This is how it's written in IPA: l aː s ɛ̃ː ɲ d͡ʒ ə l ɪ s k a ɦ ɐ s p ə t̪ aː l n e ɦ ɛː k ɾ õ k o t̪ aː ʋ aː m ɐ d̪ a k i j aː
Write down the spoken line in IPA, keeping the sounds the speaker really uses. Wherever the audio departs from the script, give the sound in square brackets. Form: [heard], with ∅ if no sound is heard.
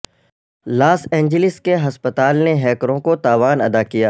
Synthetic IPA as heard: l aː s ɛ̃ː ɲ d͡ʒ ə l ɪ s k [e] ɦ ɐ s p ə t̪ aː l n e ɦ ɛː k ɾ õ k o t̪ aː ʋ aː [n] ɐ d̪ a k i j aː

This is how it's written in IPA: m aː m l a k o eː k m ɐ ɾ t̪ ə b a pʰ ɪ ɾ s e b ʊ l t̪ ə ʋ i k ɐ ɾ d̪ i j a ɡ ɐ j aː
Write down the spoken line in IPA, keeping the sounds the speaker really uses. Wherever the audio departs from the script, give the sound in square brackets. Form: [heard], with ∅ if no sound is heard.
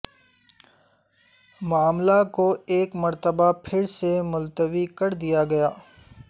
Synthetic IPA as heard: m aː m l a k o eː k m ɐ ɾ t̪ ə b a pʰ ɪ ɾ s e [m] ʊ l t̪ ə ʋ i k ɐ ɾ d̪ i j a ɡ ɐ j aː

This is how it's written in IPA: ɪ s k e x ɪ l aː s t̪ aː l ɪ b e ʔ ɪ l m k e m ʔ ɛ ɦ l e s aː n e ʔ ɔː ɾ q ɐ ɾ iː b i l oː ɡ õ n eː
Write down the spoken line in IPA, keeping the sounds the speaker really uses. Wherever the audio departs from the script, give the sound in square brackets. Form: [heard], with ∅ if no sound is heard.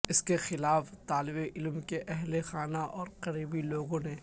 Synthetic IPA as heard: ɪ s k e x ɪ l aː [f] t̪ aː l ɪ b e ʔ ɪ l m k e [∅] ʔ ɛ ɦ l e [x] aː n [a] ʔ ɔː ɾ q ɐ ɾ iː b i l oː ɡ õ n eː

